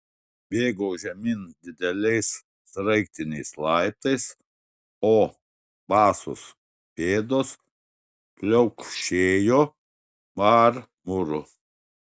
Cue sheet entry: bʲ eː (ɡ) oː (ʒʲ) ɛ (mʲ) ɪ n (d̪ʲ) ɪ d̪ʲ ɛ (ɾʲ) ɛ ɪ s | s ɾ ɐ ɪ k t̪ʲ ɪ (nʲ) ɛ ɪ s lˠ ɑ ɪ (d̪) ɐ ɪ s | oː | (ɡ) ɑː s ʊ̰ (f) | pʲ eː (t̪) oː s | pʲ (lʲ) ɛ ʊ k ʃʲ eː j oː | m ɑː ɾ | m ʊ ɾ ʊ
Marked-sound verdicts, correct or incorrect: correct, correct, correct, correct, incorrect: lʲ, correct, incorrect: t̪, incorrect: b, incorrect: s, incorrect: d̪, correct

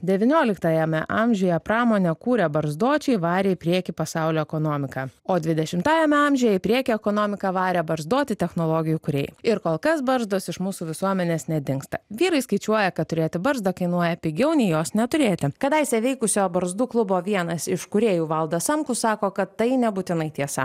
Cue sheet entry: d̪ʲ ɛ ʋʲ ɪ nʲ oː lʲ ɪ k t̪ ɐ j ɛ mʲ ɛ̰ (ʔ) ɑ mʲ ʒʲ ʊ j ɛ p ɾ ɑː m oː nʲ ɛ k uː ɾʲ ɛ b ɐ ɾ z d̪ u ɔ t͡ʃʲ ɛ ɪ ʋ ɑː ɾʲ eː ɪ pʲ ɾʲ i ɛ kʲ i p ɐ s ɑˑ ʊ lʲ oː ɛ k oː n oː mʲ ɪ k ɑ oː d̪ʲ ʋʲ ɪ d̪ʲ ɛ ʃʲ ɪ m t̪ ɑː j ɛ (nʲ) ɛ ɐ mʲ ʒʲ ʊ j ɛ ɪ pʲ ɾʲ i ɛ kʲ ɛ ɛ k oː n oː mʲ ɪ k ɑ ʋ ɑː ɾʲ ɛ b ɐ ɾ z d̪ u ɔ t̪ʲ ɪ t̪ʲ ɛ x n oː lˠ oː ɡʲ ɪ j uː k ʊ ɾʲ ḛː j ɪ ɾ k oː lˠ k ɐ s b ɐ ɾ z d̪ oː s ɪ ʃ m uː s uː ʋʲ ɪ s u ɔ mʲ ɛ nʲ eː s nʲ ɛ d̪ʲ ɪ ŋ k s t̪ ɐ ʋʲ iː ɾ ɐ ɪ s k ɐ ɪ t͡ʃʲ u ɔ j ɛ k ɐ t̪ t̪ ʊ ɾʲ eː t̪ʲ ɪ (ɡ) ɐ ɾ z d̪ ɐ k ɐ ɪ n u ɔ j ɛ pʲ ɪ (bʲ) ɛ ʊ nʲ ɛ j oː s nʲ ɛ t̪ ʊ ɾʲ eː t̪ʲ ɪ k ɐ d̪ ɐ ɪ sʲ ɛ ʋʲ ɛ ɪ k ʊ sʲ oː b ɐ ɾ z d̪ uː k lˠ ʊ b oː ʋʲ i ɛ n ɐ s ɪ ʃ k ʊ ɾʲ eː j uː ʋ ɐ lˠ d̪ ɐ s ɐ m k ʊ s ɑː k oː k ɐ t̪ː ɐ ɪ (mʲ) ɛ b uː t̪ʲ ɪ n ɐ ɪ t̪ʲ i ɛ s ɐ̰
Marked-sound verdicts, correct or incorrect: correct, incorrect: mʲ, incorrect: b, incorrect: ɡʲ, incorrect: nʲ

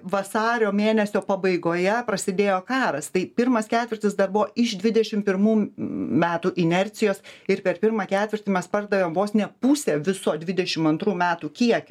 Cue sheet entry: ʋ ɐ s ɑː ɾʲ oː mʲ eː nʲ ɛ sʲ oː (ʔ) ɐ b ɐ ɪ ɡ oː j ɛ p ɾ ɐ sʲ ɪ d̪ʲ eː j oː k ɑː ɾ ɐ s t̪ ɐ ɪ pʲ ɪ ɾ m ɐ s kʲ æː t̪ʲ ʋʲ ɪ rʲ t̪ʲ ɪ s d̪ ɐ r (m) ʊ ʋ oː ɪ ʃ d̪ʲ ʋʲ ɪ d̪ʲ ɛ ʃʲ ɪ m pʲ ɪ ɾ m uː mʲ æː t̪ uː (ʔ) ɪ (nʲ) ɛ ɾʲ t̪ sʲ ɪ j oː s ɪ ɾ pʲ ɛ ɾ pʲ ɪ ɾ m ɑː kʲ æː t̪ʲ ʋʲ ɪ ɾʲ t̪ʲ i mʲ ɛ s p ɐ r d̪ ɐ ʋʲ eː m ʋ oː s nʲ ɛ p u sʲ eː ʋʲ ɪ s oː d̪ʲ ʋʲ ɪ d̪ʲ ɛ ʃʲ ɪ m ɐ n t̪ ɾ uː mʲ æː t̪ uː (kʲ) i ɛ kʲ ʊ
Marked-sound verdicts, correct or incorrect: incorrect: p, incorrect: b, correct, correct, correct

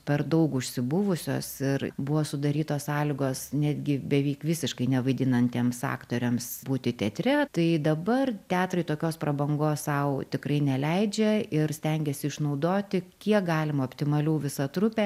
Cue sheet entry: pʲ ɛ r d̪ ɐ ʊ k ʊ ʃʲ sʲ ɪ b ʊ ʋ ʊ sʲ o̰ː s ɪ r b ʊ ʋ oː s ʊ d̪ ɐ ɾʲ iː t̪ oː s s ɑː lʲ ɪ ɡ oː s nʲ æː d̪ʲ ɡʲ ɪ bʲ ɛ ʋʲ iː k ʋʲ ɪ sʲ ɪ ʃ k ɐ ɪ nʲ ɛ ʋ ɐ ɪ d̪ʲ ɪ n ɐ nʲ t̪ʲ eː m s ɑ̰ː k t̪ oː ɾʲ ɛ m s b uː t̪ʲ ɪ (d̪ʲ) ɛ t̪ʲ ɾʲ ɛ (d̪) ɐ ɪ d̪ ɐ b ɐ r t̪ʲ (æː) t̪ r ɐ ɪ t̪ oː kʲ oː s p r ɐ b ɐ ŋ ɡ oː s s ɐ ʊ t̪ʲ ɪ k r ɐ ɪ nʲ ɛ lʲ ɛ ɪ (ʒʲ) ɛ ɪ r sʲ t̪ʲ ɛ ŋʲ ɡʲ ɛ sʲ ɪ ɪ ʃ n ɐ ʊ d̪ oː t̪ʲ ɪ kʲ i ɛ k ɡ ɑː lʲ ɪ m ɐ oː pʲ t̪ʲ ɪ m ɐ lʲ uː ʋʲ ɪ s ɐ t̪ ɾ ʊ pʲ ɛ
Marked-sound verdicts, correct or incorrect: incorrect: t̪ʲ, incorrect: t̪, correct, incorrect: d͡ʒʲ

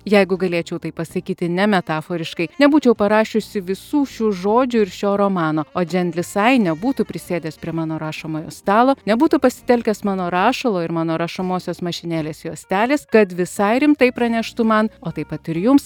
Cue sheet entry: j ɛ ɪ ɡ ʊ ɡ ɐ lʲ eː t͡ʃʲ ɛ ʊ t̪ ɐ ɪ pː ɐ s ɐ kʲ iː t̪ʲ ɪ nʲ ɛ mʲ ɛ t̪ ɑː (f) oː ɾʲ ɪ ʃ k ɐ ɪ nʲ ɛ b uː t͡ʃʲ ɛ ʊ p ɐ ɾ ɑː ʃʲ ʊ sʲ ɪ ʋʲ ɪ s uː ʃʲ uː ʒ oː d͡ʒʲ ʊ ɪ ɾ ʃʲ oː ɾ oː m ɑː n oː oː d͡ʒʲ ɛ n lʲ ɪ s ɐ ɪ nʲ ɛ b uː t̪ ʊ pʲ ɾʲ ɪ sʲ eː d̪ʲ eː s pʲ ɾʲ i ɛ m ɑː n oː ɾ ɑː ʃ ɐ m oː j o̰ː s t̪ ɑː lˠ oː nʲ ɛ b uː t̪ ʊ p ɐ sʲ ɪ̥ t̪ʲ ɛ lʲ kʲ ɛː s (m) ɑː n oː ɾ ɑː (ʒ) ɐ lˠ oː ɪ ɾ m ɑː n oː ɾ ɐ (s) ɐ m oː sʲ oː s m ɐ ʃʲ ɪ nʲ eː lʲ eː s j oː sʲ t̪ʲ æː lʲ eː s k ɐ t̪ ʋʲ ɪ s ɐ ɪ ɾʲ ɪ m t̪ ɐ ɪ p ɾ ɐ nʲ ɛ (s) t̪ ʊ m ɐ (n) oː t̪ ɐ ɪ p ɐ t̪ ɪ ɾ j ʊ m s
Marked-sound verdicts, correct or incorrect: correct, correct, incorrect: ʃ, incorrect: ʃ, incorrect: ʃ, correct

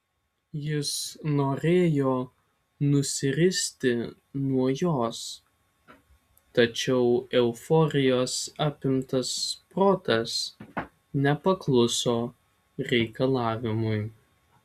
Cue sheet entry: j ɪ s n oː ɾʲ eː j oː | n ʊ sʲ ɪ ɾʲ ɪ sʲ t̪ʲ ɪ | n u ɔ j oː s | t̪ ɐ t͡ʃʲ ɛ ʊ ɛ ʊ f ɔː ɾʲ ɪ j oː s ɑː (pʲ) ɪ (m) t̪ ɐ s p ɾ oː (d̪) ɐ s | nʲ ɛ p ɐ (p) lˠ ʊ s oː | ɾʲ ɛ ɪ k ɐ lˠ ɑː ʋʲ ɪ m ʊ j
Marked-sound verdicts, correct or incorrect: correct, correct, incorrect: t̪, incorrect: k

